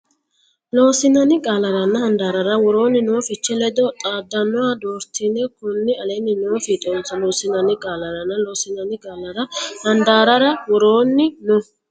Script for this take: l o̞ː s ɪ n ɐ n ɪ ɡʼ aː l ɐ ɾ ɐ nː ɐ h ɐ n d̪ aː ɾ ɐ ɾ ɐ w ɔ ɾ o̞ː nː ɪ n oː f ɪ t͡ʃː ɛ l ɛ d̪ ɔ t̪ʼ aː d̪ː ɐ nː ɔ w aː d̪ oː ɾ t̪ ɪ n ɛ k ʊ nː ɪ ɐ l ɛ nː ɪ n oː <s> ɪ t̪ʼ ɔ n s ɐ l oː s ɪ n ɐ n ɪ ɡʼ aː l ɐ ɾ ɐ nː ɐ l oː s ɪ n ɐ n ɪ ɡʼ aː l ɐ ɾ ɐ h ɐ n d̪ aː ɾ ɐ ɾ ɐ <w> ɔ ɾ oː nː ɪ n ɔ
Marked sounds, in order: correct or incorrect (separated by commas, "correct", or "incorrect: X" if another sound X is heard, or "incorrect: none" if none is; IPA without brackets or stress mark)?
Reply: incorrect: f, correct